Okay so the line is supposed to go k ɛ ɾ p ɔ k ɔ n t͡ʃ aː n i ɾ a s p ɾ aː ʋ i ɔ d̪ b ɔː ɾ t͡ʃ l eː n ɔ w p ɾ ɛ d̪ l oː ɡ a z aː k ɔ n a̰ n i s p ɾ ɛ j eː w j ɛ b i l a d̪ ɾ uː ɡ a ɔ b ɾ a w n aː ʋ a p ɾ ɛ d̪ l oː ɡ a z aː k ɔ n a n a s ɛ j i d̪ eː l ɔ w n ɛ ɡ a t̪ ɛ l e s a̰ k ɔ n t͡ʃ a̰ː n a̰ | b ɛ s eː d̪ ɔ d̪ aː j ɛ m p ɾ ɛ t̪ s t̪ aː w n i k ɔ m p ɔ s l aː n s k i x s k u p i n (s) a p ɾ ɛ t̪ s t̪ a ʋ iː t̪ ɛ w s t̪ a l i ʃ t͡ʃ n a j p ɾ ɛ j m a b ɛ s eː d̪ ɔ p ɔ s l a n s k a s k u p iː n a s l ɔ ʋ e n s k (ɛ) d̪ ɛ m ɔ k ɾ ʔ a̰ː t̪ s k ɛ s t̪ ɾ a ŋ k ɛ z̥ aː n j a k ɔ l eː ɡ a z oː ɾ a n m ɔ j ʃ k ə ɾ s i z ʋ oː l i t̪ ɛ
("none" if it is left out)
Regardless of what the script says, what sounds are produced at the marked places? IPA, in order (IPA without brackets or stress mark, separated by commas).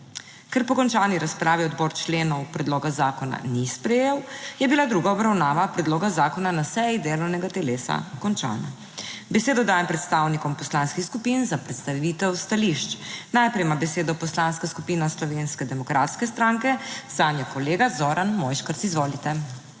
z, ɛ